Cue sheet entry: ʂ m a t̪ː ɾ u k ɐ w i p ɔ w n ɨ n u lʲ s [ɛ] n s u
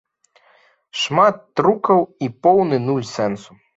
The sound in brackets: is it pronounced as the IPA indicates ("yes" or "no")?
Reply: yes